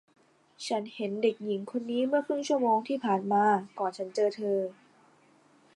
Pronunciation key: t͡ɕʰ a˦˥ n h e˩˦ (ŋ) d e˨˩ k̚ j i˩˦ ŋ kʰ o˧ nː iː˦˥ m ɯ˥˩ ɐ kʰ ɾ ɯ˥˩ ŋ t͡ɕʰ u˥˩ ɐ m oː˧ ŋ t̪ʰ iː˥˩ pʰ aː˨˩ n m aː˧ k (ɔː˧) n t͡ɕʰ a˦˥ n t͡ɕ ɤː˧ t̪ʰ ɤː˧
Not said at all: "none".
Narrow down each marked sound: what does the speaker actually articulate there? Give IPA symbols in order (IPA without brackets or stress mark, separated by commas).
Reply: n, ɔː˨˩